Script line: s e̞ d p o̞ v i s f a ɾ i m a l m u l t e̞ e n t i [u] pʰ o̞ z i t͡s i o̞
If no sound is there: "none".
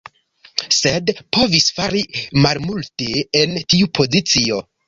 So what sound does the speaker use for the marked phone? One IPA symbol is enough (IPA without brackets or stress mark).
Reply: u